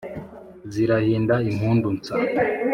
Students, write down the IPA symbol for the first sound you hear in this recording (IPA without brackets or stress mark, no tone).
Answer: z